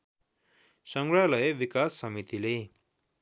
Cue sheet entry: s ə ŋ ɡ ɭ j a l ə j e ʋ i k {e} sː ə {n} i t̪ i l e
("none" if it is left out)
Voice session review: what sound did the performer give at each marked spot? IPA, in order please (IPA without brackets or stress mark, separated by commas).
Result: a, m